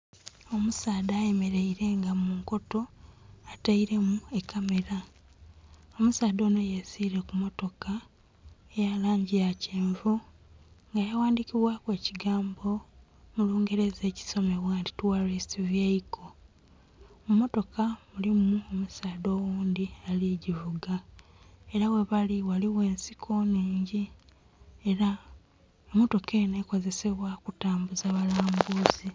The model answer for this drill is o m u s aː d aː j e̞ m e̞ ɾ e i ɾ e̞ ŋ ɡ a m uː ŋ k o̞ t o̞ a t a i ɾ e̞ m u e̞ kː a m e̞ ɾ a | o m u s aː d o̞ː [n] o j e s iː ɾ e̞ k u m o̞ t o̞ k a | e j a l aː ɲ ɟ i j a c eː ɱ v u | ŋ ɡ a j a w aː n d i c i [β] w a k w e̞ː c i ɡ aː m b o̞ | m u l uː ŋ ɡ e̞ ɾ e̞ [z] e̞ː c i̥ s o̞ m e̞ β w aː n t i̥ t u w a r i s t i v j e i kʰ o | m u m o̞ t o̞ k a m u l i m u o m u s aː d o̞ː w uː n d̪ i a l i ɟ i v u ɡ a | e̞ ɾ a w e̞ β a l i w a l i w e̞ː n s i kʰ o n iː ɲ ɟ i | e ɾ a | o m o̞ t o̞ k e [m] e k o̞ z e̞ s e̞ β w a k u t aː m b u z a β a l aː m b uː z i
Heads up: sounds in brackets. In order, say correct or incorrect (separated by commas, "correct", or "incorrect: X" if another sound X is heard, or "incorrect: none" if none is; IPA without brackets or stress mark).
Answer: correct, correct, correct, incorrect: n